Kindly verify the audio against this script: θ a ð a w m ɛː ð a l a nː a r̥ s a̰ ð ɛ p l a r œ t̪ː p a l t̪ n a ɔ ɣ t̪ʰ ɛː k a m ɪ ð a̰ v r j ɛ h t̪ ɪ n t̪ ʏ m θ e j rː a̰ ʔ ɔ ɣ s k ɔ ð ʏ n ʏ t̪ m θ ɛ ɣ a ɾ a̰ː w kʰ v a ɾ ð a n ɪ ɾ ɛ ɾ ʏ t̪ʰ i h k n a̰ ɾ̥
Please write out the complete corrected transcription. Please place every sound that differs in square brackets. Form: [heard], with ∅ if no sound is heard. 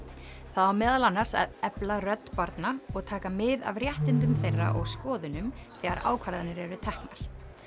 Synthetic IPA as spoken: θ a ð a w m ɛː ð a l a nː a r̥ s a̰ ð ɛ p l a r œ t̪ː p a [ɾ] t̪ n a ɔ ɣ t̪ʰ [aː] k a m ɪ ð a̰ v r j ɛ h t̪ ɪ n t̪ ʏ m θ e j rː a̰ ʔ ɔ ɣ s k [ɔː] ð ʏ n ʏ [∅] m θ ɛ ɣ a ɾ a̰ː w kʰ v a ɾ ð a n ɪ ɾ ɛ ɾ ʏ t̪ʰ [ɛ] h k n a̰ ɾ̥

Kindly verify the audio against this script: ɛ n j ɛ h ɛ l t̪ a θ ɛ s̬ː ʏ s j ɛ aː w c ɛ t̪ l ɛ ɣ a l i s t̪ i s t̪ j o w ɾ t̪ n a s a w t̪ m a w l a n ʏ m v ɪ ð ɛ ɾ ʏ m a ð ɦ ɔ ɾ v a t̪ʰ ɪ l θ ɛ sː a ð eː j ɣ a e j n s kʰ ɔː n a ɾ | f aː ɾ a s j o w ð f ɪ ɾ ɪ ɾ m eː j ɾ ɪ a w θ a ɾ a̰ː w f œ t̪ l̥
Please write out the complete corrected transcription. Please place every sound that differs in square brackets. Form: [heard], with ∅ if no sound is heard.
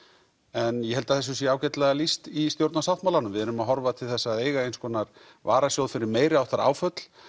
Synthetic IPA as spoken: ɛ n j ɛ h ɛ l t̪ a θ ɛ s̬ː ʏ s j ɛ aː w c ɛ t̪ l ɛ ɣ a l i s t̪ i s t̪ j o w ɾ t̪ n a s a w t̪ m a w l a n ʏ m v ɪ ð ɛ ɾ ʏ m a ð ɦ ɔ ɾ v a t̪ʰ ɪ l θ ɛ sː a ð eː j ɣ a e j n s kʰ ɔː n a ɾ | [v] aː ɾ a s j o w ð f ɪ ɾ ɪ ɾ m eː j ɾ ɪ a w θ a ɾ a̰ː w f œ t̪ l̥

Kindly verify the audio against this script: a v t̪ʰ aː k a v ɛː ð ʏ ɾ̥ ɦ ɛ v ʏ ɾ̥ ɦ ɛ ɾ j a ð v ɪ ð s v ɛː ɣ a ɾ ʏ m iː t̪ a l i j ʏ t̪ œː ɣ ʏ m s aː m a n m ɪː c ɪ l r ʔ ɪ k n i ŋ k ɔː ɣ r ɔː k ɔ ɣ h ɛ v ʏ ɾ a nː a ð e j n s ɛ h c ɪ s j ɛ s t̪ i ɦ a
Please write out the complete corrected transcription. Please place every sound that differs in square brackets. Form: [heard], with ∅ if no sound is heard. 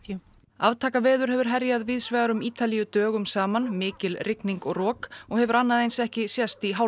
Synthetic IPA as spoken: a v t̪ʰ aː k a v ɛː ð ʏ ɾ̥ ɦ ɛ v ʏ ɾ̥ ɦ ɛ ɾ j a ð v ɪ ð s v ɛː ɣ a ɾ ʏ m iː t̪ a l i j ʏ t̪ œː ɣ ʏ m s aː m a n m ɪː c ɪ l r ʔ ɪ k n i ŋ k [ɔ] ɣ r ɔː k ɔ ɣ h ɛ v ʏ ɾ a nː a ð e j n s ɛ h c ɪ s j ɛ s t̪ i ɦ a

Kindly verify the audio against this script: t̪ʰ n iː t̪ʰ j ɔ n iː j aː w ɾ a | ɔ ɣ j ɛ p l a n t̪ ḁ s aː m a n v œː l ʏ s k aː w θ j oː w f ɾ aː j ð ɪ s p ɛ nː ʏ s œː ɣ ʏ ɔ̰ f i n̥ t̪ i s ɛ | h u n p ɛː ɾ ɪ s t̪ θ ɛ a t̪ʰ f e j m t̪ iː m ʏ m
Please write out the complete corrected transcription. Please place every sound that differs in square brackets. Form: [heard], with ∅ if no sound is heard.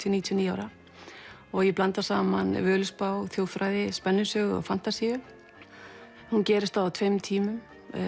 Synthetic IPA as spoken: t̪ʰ n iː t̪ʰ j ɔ n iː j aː w ɾ a | ɔ ɣ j ɛ p l a n t̪ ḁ s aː m a n v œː l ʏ s [p] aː w θ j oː w f ɾ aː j ð ɪ s p ɛ nː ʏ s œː ɣ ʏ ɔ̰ f [a] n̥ t̪ [a] s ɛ | h u n [c] ɛː ɾ ɪ s t̪ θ [a] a t̪ʰ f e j m [t̪ʰ] iː m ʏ m

